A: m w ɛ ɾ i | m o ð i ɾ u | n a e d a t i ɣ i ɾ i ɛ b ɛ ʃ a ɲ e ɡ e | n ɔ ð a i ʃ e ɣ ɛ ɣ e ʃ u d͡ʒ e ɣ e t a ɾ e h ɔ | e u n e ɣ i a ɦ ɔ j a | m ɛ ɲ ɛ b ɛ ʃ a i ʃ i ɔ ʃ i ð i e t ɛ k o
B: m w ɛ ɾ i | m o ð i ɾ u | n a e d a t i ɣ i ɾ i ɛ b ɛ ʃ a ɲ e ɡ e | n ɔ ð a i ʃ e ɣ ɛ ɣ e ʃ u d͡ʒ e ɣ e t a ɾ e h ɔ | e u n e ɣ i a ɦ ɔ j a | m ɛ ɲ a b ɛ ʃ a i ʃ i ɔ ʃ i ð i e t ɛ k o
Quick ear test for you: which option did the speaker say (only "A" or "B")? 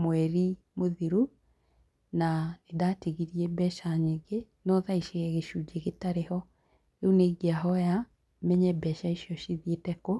A